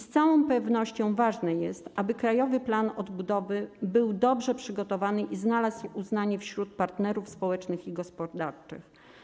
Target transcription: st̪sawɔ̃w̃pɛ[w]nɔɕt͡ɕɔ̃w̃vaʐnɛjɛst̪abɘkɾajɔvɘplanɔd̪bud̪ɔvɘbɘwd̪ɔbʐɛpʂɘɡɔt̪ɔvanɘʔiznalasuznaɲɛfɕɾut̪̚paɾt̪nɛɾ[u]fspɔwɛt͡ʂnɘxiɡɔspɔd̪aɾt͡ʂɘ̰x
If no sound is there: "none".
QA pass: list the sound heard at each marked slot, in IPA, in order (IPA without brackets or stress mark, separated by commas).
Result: v, u